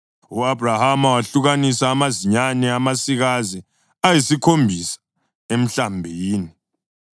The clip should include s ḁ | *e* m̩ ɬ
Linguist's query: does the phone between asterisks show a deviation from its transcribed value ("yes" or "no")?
no